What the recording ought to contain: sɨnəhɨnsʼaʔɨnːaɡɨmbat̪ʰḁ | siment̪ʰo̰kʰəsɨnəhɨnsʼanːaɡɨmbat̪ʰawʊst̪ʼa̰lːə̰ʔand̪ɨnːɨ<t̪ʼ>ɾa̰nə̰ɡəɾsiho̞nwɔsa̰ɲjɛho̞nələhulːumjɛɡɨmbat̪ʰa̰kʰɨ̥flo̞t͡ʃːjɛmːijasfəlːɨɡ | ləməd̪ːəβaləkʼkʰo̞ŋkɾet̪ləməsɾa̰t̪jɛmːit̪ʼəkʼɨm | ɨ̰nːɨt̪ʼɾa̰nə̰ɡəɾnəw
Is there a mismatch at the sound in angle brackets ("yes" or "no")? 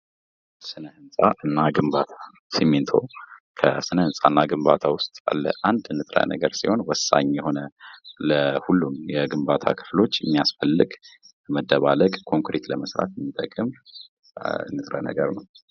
no